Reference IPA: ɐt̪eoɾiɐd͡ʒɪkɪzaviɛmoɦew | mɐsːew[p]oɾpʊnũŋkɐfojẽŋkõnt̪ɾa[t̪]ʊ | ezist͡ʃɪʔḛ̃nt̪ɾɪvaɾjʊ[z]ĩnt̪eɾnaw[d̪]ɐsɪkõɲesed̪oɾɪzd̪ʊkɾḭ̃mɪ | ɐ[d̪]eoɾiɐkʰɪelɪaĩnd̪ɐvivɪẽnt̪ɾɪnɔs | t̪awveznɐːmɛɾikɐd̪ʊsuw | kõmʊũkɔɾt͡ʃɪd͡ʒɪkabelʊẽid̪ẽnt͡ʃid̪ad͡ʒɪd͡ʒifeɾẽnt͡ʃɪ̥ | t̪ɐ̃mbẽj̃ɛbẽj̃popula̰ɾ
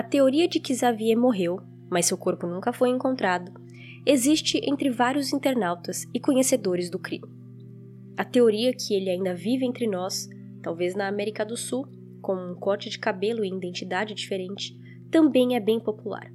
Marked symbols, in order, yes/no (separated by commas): no, no, yes, no, no